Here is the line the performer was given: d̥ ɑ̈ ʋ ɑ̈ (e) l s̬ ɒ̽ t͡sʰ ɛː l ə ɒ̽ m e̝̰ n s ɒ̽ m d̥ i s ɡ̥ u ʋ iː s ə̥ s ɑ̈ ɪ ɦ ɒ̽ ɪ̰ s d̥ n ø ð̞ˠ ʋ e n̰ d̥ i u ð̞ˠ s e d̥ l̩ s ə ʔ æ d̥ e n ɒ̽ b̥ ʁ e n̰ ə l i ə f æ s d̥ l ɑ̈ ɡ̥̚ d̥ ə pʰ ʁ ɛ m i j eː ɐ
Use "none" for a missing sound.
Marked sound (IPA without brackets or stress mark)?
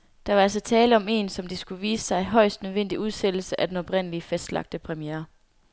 æ